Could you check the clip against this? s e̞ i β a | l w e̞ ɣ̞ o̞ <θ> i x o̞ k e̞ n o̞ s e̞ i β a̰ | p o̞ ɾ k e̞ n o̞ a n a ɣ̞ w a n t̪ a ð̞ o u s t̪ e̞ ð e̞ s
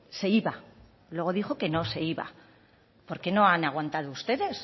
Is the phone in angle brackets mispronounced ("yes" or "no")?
yes